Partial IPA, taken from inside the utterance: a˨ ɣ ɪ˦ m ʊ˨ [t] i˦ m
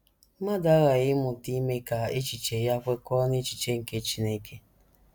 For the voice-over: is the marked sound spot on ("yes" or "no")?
yes